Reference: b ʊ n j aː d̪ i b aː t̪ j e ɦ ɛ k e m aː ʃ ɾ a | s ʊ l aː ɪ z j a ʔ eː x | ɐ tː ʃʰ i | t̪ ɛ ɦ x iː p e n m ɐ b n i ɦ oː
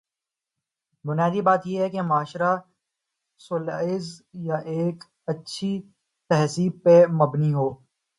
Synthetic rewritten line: b ʊ n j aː d̪ i b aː t̪ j e ɦ ɛ k e m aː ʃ ɾ a | s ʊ l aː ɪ z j a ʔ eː k | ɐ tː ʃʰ i | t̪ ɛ ɦ s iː p e m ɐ b n i ɦ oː